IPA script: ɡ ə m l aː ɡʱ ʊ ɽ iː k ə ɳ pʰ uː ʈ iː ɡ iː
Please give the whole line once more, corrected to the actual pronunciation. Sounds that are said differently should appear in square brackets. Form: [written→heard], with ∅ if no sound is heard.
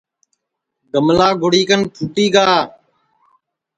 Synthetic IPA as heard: ɡ ə m l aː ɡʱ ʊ ɽ iː k ə [ɳ→n] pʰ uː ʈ iː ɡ [iː→aː]